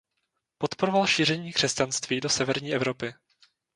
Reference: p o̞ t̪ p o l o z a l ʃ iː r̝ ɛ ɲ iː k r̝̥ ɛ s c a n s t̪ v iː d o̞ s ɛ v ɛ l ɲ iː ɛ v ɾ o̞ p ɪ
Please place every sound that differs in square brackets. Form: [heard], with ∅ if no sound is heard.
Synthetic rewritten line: p o̞ t̪ p o [ɾ] o [v] a l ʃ iː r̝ ɛ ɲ iː k r̝̥ ɛ s c a n s t̪ v iː d o̞ s ɛ v ɛ [ɾ] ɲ iː ɛ v ɾ o̞ p ɪ